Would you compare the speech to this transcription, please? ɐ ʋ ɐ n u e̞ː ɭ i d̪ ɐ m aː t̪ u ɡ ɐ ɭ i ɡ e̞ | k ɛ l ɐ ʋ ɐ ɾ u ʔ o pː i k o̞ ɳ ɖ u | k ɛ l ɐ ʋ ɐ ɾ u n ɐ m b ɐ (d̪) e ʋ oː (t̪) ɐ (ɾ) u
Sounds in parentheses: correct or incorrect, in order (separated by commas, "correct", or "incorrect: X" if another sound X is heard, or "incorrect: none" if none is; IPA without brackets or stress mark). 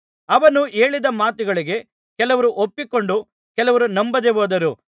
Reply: correct, incorrect: d̪, correct